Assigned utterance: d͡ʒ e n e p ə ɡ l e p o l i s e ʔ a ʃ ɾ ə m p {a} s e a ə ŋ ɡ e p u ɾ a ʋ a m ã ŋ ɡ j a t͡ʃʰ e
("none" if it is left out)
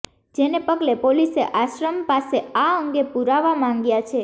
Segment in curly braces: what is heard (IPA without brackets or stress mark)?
a